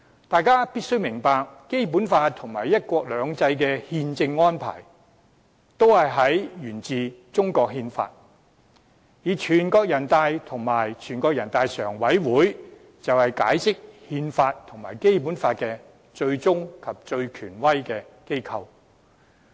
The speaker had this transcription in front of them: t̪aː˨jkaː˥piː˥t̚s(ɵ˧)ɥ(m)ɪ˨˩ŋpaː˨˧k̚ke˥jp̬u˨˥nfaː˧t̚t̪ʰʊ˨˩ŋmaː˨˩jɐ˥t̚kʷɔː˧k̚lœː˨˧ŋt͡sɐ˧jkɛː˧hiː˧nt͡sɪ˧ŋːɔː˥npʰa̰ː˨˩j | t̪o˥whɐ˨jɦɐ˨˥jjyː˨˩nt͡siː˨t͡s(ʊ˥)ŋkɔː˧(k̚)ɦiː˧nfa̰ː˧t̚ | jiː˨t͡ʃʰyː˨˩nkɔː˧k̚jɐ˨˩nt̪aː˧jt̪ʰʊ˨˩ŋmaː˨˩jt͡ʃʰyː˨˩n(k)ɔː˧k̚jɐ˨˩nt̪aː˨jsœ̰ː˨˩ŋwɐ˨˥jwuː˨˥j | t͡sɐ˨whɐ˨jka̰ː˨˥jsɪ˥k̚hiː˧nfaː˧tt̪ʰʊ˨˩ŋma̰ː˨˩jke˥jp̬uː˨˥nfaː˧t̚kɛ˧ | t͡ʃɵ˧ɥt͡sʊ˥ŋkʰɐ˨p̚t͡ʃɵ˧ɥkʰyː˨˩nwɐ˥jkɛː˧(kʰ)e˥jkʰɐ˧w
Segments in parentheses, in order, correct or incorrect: incorrect: ɵ˥, correct, correct, correct, correct, incorrect: k

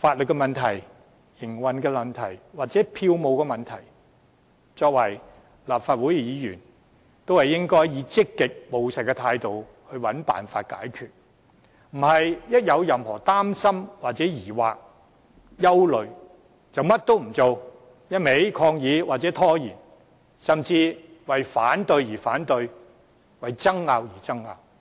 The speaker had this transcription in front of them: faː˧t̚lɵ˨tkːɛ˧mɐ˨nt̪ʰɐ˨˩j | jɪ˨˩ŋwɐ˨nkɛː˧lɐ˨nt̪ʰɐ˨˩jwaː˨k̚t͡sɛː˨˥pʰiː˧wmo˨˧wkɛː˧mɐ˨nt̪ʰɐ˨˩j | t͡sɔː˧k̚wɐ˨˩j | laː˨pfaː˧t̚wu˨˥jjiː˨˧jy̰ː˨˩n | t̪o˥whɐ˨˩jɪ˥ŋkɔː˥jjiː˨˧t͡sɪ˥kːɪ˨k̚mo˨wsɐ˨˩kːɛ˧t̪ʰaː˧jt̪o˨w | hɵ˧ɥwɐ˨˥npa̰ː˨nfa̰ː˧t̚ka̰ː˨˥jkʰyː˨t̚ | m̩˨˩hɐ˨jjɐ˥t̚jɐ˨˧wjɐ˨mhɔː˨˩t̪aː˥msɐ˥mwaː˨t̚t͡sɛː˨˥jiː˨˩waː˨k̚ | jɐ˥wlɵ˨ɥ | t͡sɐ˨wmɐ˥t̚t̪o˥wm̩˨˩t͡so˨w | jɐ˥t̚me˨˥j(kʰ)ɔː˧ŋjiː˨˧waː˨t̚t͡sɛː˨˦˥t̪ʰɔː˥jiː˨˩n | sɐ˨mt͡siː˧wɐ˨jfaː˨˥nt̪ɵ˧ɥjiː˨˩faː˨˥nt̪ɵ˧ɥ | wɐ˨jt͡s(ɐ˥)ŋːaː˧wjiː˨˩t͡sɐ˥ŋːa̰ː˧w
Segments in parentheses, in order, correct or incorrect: correct, correct

